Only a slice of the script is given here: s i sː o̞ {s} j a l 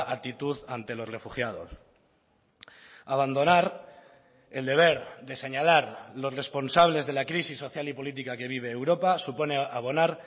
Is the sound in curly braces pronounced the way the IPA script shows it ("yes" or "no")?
no